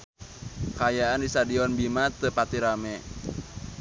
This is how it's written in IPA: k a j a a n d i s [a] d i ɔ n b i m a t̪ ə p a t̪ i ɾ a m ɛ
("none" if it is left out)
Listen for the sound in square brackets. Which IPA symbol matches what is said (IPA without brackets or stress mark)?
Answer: a